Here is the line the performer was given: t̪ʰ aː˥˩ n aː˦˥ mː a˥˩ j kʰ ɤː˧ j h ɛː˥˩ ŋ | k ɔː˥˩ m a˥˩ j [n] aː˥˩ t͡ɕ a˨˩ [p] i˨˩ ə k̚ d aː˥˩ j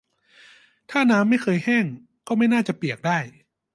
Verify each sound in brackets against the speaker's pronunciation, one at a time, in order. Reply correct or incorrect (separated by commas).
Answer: correct, correct